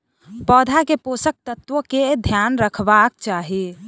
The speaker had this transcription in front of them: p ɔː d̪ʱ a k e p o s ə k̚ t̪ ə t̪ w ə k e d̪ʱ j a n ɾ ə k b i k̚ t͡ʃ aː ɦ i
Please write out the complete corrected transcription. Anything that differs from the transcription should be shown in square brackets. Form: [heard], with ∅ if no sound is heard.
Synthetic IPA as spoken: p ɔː d̪ʱ a k e p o s ə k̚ t̪ ə t̪ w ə k e d̪ʱ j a n ɾ ə [kʰ] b [a] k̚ t͡ʃ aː ɦ i